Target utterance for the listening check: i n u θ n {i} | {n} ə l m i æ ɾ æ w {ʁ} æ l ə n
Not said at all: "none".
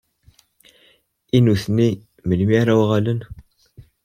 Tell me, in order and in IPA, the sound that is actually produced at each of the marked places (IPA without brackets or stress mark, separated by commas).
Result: i, m, ʁ